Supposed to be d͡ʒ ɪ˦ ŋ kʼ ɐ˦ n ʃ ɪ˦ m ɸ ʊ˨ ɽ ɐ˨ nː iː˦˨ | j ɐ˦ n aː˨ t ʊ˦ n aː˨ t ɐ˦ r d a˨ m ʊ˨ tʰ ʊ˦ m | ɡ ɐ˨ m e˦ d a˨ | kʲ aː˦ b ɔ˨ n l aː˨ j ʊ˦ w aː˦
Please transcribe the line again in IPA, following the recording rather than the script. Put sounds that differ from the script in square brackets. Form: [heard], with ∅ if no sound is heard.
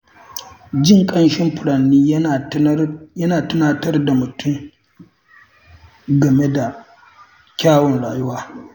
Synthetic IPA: d͡ʒ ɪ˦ ŋ kʼ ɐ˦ n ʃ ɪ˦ m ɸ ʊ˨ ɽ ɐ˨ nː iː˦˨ | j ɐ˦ n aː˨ t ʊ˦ n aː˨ t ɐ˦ r d a˨ m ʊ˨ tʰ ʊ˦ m | ɡ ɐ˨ m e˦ d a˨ | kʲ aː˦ [w] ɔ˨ n [ɽ] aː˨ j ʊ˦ w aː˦